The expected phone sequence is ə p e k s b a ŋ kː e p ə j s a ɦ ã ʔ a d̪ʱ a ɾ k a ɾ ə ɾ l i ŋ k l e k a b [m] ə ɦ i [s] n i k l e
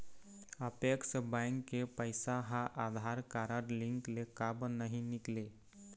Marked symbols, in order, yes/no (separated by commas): no, no